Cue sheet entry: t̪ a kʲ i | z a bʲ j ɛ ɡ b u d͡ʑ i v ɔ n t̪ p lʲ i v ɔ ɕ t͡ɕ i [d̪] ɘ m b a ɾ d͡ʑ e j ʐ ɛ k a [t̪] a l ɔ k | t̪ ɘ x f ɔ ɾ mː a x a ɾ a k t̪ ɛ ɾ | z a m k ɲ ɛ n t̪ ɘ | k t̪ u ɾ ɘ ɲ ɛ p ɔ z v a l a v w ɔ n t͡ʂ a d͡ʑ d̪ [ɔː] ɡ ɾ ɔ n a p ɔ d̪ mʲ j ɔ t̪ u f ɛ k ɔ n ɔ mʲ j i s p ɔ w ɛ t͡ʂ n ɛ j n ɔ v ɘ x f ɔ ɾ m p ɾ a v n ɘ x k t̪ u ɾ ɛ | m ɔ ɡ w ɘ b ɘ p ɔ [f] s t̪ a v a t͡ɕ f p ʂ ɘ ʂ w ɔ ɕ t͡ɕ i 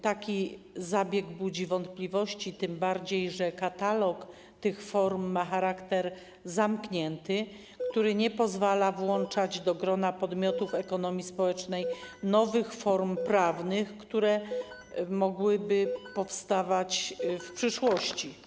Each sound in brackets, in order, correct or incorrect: incorrect: t̪, correct, incorrect: ɔ, correct

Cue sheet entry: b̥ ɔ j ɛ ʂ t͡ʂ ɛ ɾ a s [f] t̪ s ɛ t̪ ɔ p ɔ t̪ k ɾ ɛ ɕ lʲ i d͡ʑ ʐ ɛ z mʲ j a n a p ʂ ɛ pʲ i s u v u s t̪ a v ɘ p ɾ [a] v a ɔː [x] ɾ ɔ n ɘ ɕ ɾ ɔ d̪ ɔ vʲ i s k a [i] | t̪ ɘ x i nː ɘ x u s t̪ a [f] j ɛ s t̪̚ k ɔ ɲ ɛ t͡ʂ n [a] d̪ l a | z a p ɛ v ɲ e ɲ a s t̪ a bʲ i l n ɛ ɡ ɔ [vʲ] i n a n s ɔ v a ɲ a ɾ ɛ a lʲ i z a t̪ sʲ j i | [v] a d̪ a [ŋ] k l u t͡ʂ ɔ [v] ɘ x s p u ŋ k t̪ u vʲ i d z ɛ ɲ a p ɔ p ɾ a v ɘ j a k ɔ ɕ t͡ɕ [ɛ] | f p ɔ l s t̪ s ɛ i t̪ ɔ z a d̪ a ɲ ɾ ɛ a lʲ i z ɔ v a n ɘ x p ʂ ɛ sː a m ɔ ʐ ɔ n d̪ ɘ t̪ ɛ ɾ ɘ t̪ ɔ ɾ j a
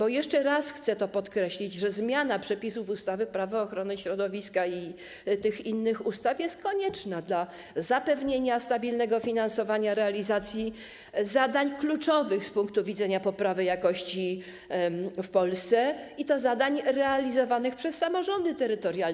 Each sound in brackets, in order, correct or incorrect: incorrect: x, correct, correct, correct, correct, correct, incorrect: fʲ, incorrect: z, incorrect: ɲ, correct, incorrect: i

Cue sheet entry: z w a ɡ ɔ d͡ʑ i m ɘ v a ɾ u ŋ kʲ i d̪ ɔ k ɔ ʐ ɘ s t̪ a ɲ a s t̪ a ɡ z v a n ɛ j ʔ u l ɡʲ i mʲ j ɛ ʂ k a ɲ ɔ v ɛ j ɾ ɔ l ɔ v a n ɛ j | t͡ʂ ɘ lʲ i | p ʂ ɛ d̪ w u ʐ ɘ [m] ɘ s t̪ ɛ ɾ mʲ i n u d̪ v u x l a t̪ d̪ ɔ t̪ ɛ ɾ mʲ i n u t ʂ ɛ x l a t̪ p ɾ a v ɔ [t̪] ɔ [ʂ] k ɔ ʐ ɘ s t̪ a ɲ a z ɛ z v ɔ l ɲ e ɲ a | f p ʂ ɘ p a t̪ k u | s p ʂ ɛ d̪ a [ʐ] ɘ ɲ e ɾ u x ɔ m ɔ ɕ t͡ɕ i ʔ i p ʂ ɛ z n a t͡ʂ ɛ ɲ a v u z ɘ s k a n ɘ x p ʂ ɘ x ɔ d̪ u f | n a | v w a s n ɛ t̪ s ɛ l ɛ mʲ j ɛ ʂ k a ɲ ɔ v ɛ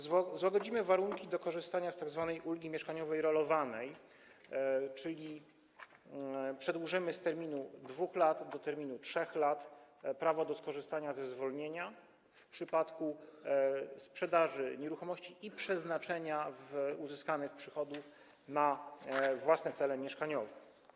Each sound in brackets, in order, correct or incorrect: correct, incorrect: d̪, incorrect: s, correct

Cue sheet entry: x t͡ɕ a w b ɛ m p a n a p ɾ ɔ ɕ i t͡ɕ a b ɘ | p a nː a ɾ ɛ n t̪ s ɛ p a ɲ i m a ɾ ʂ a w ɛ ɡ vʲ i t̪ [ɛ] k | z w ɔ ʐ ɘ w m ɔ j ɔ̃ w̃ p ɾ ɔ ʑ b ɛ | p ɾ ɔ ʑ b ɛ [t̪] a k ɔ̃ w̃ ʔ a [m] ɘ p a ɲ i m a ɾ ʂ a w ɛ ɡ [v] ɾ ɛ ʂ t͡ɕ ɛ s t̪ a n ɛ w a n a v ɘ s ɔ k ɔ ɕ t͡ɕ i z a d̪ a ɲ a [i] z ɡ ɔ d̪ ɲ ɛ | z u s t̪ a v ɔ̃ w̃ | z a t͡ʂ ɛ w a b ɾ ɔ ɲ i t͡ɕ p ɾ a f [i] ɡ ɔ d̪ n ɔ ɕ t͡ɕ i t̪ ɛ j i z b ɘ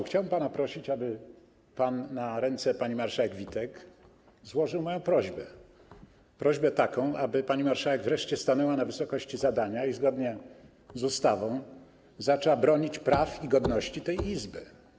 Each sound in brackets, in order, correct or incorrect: correct, correct, incorrect: b, correct, correct, correct

